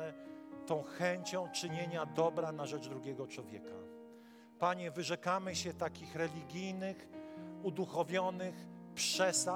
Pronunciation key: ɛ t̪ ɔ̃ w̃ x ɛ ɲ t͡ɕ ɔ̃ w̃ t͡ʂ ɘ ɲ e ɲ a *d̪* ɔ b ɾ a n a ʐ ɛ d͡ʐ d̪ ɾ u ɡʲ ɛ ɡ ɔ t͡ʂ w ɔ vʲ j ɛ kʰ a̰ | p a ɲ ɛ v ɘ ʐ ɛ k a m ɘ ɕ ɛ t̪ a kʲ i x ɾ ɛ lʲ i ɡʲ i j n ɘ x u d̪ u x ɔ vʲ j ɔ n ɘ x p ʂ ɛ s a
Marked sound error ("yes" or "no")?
no